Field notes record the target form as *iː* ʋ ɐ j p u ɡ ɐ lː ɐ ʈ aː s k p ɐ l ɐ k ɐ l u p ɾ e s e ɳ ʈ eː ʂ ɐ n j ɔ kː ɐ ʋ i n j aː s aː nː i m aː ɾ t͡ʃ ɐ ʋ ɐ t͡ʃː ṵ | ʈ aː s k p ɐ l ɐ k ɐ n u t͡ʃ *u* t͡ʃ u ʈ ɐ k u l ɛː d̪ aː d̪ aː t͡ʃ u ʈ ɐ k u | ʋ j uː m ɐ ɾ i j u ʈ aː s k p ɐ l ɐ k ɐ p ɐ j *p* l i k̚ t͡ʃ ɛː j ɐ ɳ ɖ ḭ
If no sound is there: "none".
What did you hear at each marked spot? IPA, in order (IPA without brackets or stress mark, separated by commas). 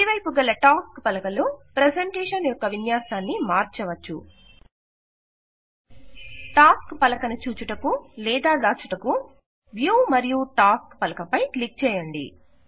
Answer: i, uː, k